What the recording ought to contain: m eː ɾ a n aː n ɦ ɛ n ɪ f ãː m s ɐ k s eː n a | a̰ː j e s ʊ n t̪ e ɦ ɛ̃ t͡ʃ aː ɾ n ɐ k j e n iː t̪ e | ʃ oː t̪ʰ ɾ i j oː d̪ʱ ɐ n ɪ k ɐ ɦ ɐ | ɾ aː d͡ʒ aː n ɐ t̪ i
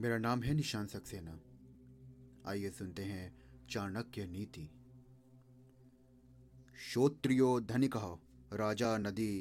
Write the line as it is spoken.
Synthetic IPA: m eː ɾ a n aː m ɦ ɛ n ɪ ʃ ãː n s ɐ k s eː n a | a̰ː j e s ʊ n t̪ e ɦ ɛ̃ t͡ʃ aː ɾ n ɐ k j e n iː t̪ i | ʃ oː t̪ ɾ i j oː d̪ʱ ɐ n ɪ k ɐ ɦ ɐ | ɾ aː d͡ʒ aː n ɐ d̪ i